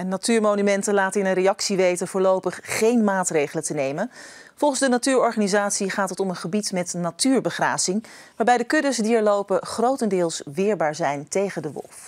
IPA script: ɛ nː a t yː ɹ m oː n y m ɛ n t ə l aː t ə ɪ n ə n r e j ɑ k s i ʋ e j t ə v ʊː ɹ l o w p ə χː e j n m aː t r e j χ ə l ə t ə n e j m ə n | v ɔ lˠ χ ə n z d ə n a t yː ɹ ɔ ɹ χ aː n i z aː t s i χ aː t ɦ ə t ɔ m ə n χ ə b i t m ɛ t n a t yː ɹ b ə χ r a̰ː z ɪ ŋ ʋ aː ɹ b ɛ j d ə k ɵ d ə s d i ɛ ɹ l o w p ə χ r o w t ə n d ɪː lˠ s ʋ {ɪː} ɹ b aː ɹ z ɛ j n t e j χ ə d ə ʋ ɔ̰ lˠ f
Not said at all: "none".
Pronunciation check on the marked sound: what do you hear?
ɪː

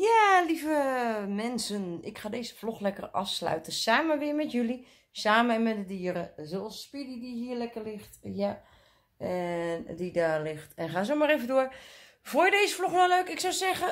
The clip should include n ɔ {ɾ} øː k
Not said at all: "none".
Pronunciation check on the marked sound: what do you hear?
l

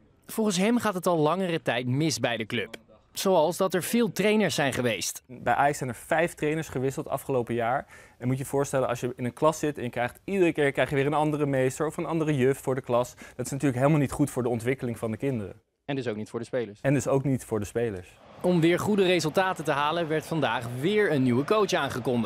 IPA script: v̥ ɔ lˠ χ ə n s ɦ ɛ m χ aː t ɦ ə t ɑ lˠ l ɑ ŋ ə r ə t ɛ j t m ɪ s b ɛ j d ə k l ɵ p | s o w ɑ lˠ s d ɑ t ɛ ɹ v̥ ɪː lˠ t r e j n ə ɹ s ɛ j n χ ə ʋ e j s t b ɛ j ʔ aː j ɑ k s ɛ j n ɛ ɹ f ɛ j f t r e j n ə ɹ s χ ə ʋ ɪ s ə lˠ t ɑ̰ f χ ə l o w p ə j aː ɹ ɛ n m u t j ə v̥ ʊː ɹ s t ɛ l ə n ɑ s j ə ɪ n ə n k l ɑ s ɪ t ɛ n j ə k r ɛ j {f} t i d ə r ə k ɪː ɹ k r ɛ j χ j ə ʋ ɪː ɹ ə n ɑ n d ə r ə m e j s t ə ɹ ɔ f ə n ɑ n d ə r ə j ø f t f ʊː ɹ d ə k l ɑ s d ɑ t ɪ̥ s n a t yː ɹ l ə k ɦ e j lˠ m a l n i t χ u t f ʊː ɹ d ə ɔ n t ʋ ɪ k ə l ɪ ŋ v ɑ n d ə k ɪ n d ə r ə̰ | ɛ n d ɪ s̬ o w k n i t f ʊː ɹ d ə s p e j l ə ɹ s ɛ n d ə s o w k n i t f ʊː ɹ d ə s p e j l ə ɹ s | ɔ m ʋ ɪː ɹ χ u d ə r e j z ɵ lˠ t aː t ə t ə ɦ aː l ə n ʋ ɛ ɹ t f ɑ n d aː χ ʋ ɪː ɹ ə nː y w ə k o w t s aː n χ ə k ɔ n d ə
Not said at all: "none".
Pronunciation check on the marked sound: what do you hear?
χ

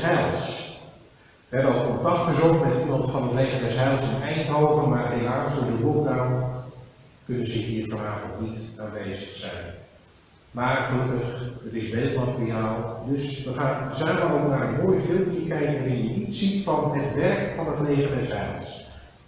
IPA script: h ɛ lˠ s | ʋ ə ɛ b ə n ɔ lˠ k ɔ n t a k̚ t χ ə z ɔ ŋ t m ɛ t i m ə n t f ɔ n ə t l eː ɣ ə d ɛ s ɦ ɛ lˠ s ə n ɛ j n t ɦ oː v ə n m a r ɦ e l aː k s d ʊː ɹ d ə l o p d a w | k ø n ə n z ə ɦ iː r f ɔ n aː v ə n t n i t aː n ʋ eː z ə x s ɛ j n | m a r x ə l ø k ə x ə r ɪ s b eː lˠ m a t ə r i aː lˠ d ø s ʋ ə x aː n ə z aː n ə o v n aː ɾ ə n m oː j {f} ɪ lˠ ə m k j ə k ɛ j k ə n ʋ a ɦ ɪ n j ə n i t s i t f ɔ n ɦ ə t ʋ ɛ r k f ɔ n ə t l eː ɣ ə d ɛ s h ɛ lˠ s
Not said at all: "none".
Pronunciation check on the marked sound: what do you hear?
f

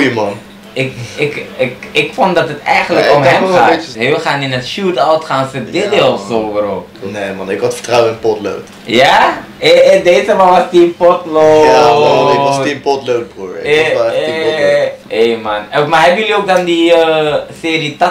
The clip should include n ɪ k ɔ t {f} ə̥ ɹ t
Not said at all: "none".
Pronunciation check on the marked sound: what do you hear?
f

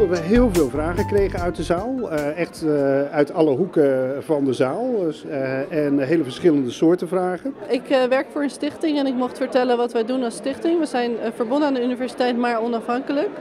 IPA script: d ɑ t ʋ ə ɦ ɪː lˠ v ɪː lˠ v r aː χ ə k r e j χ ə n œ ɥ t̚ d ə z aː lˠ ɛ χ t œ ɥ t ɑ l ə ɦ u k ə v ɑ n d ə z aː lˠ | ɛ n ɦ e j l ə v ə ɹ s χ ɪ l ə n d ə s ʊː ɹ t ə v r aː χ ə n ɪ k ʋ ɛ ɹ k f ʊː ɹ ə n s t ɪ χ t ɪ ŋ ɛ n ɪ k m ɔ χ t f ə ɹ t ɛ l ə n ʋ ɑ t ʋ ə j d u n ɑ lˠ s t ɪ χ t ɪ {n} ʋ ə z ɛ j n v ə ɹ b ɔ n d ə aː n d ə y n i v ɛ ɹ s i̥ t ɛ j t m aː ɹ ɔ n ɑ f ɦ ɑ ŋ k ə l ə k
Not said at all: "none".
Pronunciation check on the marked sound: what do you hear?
ŋ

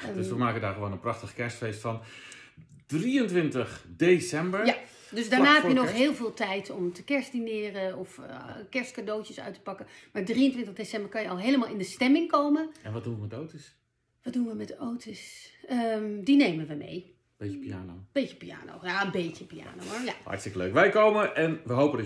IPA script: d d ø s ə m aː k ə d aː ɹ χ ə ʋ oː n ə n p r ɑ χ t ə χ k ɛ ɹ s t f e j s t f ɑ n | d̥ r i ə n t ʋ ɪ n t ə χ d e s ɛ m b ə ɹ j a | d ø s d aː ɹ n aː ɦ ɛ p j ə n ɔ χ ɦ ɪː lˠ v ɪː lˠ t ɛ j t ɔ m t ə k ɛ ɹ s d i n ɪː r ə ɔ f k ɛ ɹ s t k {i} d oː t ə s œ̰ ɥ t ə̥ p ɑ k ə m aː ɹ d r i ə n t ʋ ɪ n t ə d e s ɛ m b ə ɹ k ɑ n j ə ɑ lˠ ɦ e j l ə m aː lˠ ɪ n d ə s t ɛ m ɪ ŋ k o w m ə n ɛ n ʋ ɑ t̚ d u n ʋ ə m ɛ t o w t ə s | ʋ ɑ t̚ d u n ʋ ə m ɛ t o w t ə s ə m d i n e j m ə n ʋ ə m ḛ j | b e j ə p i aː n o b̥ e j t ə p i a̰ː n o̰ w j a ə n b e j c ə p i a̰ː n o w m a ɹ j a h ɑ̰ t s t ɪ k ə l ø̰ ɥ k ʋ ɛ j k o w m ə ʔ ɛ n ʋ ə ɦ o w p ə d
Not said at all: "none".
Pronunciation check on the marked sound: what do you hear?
a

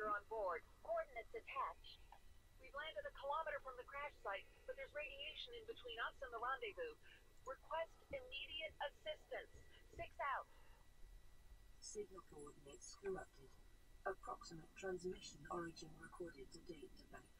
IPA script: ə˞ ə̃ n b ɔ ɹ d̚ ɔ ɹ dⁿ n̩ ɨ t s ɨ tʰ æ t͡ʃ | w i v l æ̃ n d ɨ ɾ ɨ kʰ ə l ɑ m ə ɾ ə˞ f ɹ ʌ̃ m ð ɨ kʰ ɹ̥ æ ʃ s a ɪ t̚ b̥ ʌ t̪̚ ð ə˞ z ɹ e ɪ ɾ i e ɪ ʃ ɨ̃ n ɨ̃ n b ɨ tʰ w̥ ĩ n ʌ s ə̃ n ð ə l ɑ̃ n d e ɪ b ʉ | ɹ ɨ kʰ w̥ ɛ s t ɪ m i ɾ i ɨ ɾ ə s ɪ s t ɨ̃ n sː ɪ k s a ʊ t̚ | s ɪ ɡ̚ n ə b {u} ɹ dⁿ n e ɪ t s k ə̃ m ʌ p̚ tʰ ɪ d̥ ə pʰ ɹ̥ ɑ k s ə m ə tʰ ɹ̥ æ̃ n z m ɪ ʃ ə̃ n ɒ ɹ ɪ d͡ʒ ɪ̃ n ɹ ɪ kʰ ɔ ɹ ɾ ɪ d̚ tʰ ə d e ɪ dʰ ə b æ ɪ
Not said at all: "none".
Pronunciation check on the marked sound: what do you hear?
ɔ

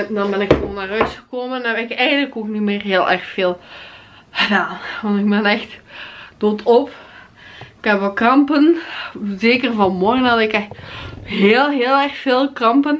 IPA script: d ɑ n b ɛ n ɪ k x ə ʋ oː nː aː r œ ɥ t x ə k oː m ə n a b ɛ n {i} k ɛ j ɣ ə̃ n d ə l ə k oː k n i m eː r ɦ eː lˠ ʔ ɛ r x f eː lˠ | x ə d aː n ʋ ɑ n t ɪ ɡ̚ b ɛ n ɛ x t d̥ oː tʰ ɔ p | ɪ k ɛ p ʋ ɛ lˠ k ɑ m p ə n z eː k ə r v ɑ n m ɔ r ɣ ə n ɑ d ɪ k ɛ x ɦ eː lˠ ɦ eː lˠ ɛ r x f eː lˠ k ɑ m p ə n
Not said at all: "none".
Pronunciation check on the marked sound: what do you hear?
ɪ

